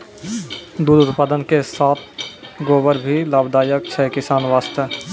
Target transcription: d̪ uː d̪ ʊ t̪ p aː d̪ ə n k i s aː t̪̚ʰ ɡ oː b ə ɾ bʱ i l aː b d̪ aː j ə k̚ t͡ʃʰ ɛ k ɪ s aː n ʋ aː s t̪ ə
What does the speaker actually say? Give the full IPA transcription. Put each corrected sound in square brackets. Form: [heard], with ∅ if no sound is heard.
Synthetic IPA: d̪ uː d̪ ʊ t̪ p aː d̪ ə n k [e] s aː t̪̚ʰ ɡ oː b ə ɾ bʱ i l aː b d̪ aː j ə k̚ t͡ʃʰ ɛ k ɪ s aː n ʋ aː s t̪ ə